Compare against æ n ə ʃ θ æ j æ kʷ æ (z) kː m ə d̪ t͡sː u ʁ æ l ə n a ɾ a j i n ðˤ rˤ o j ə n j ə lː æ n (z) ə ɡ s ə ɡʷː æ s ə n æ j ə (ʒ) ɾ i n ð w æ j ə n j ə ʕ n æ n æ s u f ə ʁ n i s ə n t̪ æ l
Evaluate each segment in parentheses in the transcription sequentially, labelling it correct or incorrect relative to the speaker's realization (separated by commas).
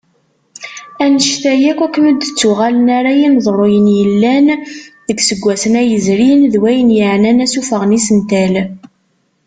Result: incorrect, incorrect, incorrect